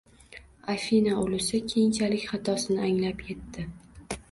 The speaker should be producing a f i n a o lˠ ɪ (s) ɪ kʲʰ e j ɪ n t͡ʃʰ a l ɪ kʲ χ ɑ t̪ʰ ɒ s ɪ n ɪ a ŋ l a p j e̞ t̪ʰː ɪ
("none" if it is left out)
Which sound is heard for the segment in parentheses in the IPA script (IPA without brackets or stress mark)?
s